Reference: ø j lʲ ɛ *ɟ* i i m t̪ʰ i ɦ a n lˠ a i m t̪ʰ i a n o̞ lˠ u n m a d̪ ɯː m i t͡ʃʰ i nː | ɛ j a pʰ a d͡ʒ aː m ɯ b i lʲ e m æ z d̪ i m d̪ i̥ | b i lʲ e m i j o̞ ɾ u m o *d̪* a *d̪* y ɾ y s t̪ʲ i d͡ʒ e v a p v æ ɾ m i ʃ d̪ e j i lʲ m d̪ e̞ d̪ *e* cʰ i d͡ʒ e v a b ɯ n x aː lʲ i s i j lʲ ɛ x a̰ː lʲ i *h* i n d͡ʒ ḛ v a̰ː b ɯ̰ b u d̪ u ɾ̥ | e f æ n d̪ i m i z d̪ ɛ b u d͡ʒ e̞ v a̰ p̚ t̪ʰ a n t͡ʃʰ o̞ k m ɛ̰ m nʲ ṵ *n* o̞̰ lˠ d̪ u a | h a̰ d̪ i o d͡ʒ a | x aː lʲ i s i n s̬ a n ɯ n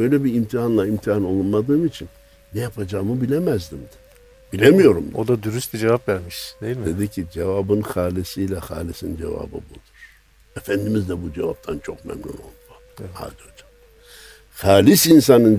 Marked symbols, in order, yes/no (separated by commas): no, yes, yes, no, no, yes